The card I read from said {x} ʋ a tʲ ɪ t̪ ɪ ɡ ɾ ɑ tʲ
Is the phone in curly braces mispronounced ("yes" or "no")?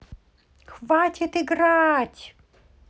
no